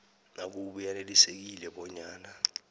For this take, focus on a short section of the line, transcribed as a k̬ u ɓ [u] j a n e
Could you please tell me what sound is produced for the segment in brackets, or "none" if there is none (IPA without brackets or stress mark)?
u